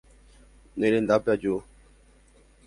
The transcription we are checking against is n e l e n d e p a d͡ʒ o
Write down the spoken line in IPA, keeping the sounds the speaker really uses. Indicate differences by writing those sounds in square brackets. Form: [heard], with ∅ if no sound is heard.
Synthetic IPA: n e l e n d [a] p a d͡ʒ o